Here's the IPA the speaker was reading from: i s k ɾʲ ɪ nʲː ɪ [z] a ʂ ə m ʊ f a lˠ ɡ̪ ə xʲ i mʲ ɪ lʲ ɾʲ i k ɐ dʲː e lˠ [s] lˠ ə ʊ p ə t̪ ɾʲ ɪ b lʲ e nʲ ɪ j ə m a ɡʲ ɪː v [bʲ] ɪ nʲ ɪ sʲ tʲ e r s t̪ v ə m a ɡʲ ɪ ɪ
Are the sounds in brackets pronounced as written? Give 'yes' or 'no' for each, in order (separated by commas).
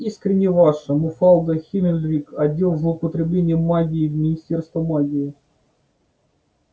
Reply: no, no, no